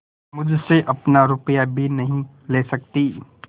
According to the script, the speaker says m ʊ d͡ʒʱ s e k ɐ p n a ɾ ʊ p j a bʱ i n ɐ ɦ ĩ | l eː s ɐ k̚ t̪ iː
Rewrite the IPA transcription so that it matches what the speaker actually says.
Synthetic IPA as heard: m ʊ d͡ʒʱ s e ʔ ɐ p n a ɾ ʊ p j a bʱ i n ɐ ɦ ĩ | l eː s ɐ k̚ t̪ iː